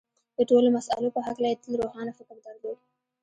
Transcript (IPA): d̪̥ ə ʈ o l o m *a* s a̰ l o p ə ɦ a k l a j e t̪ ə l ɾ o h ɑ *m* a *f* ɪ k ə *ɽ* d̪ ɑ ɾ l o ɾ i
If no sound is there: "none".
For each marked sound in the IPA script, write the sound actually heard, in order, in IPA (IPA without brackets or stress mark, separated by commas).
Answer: a, n, f, ɾ